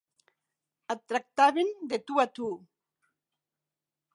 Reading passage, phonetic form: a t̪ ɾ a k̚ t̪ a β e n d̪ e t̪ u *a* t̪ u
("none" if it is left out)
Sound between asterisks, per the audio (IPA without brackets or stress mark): a